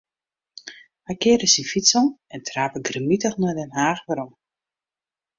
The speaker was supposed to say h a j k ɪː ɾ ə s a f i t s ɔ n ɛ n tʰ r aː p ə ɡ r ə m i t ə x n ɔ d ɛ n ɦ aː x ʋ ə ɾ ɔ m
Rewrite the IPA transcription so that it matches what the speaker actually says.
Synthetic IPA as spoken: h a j k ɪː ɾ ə s i f i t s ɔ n ɛ n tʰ r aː p ə ɡ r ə m i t ə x n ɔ d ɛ n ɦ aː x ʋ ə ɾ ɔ m